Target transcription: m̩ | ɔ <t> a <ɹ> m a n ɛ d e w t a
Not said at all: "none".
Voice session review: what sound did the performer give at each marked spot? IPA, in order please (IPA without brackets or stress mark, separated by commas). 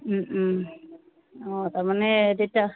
t, ɹ